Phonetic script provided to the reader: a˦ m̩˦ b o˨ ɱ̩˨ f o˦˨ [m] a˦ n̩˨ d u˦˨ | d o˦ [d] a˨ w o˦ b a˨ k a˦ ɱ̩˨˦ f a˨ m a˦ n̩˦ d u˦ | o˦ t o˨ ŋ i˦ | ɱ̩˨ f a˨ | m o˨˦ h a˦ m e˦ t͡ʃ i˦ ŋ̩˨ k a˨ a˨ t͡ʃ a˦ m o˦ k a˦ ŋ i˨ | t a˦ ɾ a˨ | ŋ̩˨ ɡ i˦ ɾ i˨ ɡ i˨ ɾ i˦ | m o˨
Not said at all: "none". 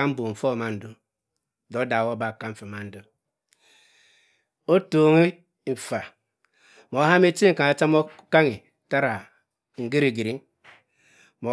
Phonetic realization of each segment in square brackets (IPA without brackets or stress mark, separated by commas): m, d